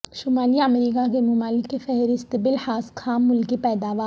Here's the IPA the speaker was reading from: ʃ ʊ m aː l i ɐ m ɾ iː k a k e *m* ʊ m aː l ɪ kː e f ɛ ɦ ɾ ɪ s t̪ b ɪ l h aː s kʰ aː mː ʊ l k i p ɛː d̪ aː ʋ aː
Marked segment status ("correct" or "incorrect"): correct